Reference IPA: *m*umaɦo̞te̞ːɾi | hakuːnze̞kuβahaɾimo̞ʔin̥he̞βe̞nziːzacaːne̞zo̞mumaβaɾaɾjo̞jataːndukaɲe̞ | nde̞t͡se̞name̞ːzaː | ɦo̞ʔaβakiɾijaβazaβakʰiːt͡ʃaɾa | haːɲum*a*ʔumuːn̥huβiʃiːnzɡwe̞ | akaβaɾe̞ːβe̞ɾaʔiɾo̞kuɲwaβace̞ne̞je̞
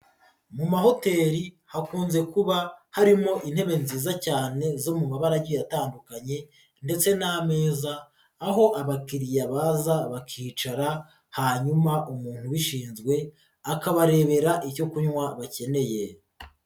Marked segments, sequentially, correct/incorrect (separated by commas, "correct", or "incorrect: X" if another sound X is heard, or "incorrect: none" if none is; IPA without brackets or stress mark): correct, correct